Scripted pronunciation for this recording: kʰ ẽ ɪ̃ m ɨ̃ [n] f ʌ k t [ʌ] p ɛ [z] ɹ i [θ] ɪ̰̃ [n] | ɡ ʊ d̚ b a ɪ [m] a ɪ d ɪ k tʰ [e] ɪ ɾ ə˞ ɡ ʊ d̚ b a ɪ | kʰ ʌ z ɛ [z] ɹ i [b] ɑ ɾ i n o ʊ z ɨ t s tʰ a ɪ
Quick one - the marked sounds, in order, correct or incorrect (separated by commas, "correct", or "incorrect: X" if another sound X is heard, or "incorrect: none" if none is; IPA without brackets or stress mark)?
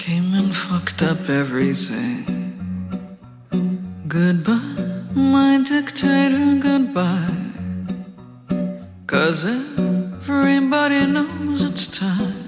correct, correct, incorrect: v, correct, incorrect: ŋ, correct, correct, incorrect: v, correct